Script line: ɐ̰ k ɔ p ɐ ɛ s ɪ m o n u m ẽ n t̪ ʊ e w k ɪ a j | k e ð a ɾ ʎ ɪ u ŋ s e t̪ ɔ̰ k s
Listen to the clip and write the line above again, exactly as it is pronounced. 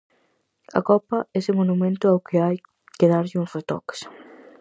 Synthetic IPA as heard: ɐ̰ k ɔ p ɐ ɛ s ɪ m o n u m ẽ n t̪ ʊ a w k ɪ a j | k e ð a ɾ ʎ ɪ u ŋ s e t̪ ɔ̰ k s